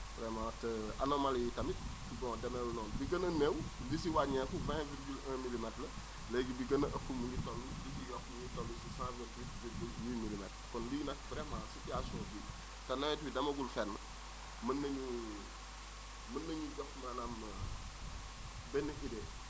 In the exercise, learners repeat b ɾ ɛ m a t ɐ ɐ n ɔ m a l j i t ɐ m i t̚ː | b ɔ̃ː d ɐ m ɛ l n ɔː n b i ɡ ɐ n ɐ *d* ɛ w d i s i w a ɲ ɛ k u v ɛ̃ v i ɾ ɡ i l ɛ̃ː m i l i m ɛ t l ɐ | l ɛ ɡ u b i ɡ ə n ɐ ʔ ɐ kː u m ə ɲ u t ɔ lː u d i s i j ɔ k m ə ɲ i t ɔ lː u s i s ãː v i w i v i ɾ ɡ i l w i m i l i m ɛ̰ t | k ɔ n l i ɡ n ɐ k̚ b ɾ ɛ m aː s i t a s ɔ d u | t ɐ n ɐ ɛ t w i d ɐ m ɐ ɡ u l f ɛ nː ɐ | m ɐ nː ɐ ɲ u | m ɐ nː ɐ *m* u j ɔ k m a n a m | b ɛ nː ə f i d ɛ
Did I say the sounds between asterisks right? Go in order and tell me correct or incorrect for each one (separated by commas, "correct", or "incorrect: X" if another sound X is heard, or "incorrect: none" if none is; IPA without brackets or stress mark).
incorrect: n, incorrect: ɲ